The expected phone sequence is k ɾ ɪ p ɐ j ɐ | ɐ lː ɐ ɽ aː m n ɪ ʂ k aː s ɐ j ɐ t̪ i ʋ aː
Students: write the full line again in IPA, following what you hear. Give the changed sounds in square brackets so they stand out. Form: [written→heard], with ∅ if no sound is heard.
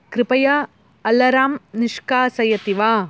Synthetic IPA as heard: k ɾ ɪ p ɐ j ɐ | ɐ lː ɐ [ɽ→ɾ] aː m n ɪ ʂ k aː s ɐ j ɐ t̪ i ʋ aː